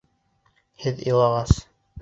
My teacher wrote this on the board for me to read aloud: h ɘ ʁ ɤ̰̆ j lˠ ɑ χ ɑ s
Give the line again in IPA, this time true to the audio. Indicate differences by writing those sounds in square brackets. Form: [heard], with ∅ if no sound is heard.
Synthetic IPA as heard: h ɘ [ð] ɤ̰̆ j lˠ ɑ [ʁ] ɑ s